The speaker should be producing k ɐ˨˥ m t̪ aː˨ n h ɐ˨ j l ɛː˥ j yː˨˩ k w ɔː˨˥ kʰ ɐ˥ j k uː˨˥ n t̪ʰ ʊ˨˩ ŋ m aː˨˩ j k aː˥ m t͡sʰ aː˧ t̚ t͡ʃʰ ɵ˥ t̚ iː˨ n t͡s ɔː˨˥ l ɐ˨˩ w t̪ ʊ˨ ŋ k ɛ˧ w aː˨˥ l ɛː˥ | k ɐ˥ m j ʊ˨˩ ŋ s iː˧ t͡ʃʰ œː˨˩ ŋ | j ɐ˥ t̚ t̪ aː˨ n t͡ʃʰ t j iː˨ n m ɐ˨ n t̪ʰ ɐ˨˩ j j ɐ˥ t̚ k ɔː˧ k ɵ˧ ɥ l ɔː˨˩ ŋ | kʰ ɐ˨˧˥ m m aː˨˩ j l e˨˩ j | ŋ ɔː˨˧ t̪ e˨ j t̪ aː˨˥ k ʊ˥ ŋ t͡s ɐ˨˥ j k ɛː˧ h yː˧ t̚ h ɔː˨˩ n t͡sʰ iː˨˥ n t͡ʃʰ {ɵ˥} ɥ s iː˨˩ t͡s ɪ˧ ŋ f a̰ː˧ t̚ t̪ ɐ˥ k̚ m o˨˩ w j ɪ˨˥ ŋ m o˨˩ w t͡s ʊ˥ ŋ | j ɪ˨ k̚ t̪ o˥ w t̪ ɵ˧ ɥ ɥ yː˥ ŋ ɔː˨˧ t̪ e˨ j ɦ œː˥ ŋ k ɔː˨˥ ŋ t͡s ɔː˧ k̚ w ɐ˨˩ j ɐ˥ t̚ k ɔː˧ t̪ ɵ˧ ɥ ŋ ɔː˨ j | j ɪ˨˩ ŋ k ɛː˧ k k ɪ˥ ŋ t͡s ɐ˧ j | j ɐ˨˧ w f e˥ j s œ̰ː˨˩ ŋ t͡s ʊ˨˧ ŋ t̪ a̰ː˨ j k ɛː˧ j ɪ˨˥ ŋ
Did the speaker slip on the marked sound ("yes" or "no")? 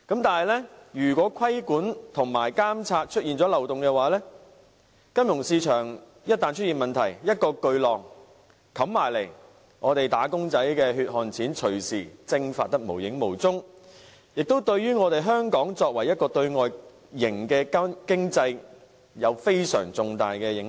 yes